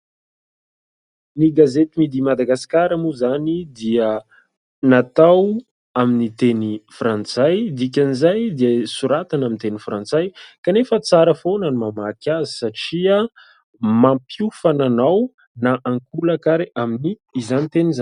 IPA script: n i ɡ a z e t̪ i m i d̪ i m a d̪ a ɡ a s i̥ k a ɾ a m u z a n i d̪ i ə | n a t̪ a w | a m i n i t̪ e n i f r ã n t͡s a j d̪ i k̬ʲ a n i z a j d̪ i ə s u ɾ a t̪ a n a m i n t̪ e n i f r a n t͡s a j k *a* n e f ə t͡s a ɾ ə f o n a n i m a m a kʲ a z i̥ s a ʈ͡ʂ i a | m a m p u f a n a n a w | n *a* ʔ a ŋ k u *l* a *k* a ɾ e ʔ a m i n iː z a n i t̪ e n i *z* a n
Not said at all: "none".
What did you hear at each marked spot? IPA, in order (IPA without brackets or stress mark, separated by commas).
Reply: a, a, l, k, z